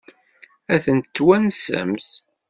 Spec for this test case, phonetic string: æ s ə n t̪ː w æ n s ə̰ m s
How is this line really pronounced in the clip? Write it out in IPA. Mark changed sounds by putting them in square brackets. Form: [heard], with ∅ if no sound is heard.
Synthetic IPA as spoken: æ [θ] ə n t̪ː w æ n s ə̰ m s